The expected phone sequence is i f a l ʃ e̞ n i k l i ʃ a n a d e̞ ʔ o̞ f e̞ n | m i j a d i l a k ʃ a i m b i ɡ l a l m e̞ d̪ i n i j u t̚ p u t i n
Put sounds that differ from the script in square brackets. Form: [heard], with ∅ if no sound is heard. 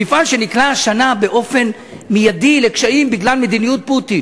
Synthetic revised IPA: i f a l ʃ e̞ n i k l [a] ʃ a n a [b] e̞ ʔ o̞ f e̞ n | m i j a d i l [e] k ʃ a i m b i ɡ l a l m e̞ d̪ i n i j u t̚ p u t i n